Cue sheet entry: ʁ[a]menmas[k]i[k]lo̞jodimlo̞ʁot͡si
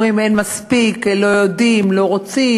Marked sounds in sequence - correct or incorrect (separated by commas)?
incorrect, incorrect, correct